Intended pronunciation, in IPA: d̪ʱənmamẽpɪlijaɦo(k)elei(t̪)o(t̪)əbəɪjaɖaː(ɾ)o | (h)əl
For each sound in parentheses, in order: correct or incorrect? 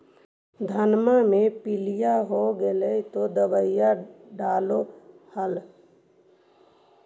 incorrect: ɡ, correct, incorrect: d̪, incorrect: l, correct

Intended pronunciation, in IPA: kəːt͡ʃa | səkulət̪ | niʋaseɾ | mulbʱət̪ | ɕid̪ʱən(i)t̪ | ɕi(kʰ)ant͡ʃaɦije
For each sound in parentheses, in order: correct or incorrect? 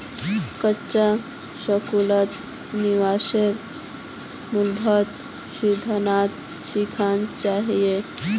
incorrect: a, correct

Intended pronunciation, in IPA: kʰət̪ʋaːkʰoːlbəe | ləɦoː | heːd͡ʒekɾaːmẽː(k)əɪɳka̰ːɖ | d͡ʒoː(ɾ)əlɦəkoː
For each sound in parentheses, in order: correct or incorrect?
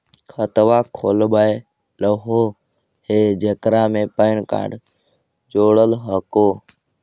incorrect: p, incorrect: ɽ

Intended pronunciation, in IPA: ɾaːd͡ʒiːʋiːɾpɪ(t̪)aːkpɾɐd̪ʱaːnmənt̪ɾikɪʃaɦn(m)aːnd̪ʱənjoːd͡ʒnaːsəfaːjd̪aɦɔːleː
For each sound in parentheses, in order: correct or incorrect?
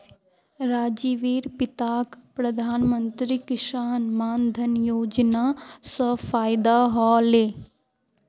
correct, correct

